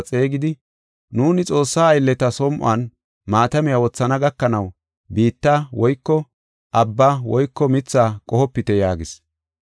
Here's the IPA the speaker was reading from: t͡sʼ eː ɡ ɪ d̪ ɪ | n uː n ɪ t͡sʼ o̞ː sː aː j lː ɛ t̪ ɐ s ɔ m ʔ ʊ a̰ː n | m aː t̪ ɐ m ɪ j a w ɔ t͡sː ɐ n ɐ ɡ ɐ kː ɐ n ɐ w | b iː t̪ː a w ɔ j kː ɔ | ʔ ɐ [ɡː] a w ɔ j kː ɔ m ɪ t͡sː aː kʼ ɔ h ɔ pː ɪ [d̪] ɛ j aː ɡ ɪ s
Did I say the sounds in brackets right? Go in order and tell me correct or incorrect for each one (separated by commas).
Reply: incorrect, incorrect